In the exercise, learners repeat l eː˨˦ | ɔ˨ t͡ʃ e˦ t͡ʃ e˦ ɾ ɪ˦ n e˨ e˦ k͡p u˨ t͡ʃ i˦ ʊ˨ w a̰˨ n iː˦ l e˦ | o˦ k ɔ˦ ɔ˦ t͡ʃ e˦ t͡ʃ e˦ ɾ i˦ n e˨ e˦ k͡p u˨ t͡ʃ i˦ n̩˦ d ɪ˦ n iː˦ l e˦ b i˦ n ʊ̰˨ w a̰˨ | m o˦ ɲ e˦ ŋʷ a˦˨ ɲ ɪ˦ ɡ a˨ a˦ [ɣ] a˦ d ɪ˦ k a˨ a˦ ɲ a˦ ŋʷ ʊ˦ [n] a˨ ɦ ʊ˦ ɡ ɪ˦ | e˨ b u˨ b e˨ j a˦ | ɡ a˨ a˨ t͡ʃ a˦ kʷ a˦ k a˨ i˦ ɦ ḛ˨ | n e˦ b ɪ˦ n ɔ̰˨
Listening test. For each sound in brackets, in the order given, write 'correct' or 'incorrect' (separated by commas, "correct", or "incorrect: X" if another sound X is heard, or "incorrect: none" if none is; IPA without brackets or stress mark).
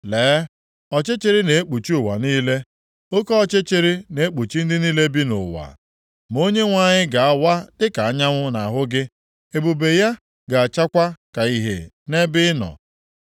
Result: incorrect: w, correct